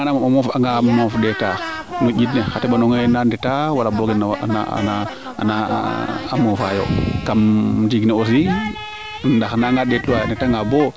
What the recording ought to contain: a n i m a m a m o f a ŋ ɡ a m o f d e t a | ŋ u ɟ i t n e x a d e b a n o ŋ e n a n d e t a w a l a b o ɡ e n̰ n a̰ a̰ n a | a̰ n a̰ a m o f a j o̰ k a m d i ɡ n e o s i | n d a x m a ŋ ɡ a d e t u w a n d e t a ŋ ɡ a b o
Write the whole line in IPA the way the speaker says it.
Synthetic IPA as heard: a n a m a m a m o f a ŋ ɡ a m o f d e t a | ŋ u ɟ i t n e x a t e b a n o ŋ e n a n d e t a w a l a b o ɡ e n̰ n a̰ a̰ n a | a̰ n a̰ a m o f a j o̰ k a m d i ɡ n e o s i | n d a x n a ŋ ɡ a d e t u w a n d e t a ŋ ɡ a b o